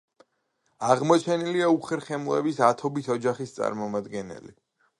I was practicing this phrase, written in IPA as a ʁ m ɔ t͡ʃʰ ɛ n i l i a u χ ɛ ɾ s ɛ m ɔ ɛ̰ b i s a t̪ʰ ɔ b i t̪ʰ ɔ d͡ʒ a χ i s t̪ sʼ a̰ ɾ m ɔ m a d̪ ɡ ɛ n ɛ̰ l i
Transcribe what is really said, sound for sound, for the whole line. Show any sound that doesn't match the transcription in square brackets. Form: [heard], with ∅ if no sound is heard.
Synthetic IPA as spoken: a ʁ m ɔ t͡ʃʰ ɛ n i l i a u χ ɛ ɾ [χ] ɛ m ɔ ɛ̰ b i s a t̪ʰ ɔ b i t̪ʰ ɔ d͡ʒ a χ i s t̪ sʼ a̰ ɾ m ɔ m a d̪ ɡ ɛ n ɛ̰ l i